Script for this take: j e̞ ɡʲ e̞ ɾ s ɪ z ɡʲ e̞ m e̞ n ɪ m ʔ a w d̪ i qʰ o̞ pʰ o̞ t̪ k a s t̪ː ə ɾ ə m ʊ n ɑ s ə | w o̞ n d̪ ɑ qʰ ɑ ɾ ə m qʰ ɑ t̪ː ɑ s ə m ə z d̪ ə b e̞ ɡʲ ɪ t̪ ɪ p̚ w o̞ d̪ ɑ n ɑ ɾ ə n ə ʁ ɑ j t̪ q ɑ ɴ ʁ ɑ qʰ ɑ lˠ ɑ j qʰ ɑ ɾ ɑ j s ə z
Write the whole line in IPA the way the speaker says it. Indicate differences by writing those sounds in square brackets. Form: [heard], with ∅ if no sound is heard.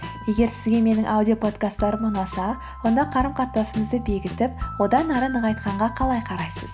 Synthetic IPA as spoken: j e̞ ɡʲ e̞ ɾ s ɪ z ɡʲ e̞ m e̞ n ɪ [ŋ] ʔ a w d̪ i [∅] o̞ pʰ o̞ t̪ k a s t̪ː [ɑ] ɾ ə m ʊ n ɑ s [ɑ] | w o̞ n d̪ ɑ qʰ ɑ ɾ ə m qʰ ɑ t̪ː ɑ s ə m ə z d̪ ə b e̞ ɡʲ ɪ t̪ ɪ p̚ w o̞ d̪ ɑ n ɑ ɾ ə n ə ʁ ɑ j t̪ q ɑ ɴ ʁ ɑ qʰ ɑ lˠ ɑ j qʰ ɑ ɾ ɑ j s ə z